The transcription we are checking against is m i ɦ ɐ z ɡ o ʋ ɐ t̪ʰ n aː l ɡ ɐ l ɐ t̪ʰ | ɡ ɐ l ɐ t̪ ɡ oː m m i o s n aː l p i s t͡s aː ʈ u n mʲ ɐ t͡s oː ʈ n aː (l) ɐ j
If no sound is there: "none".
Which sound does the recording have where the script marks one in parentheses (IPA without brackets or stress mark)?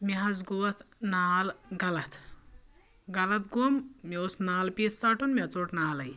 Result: l